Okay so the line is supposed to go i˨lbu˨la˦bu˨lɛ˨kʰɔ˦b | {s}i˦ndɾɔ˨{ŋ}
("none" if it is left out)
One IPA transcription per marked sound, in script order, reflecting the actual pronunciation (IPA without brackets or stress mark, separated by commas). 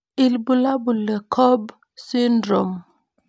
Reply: s, m